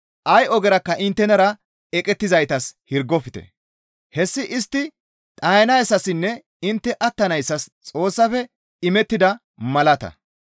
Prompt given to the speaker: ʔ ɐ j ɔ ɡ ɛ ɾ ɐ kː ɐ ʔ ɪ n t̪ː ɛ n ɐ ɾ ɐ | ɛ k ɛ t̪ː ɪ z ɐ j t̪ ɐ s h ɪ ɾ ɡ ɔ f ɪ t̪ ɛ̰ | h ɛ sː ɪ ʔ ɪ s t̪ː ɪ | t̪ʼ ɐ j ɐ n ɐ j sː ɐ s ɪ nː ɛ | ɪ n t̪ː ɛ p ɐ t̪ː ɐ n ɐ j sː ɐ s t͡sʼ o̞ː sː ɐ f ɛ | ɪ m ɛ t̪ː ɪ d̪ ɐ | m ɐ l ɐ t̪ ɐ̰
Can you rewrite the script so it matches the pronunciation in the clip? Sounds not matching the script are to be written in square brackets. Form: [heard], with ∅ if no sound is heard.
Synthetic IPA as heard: ʔ ɐ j ɔ ɡ ɛ ɾ ɐ kː ɐ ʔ ɪ n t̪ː ɛ n ɐ ɾ ɐ | ɛ [kʼ] ɛ t̪ː ɪ z ɐ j t̪ ɐ s h ɪ ɾ ɡ ɔ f ɪ t̪ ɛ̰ | h ɛ sː ɪ ʔ ɪ s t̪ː ɪ | t̪ʼ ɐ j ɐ n ɐ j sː ɐ s ɪ nː ɛ | ɪ n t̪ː ɛ [ʔ] ɐ t̪ː ɐ n ɐ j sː ɐ s t͡sʼ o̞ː sː ɐ f ɛ | ɪ m ɛ t̪ː ɪ d̪ ɐ | m ɐ l ɐ t̪ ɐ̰